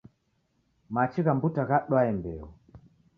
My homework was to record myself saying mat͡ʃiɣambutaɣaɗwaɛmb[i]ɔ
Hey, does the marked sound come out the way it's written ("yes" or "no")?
no